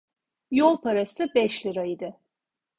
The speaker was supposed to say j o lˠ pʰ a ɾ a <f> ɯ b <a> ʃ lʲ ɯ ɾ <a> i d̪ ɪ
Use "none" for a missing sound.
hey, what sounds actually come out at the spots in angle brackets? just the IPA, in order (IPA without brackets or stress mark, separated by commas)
s, ɛ, a